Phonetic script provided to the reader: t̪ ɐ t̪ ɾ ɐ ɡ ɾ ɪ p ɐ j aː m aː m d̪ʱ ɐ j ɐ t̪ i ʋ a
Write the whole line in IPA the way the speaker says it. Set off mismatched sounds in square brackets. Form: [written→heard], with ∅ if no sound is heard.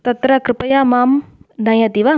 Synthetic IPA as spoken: t̪ ɐ t̪ ɾ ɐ [ɡ→k] ɾ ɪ p ɐ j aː m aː m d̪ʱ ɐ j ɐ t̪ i ʋ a